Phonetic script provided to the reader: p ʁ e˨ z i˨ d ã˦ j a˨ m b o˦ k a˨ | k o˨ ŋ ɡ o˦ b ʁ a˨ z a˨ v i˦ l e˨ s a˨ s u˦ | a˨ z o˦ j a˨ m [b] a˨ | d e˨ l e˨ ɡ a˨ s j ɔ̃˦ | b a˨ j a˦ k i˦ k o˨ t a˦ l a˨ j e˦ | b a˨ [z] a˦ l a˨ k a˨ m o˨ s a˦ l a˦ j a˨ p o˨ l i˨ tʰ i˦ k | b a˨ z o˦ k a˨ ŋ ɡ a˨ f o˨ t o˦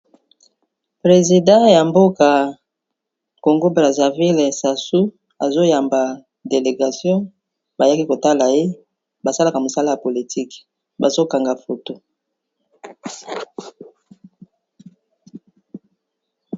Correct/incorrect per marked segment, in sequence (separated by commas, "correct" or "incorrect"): correct, incorrect